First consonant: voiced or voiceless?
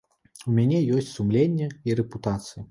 voiced